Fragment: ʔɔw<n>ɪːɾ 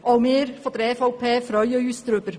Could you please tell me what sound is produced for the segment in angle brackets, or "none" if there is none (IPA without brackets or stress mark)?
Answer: m